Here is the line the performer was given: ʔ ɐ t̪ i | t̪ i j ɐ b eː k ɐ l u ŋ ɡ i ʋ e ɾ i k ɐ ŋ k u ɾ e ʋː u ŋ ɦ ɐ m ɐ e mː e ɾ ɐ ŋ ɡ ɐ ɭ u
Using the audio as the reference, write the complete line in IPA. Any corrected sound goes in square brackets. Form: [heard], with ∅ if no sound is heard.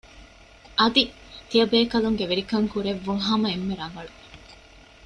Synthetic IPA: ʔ ɐ [d̪] i | t̪ i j ɐ b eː k ɐ l u ŋ ɡ [e] ʋ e ɾ i k ɐ ŋ k u ɾ e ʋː u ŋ ɦ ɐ m ɐ e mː e ɾ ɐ ŋ ɡ ɐ ɭ u